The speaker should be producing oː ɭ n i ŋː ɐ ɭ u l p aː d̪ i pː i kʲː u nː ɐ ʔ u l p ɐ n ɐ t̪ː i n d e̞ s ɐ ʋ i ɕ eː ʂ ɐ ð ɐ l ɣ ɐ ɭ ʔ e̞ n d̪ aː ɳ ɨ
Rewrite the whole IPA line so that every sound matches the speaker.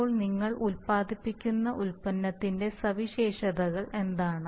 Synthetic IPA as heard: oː ɭ n i ŋː ɐ ɭ u l p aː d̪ i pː i kʲː u nː ɐ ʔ u l p ɐ nː ɐ t̪ː i n d e̞ s ɐ ʋ i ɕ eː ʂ ɐ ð ɐ ɣ ɐ ɭ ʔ e̞ n d̪ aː ɳ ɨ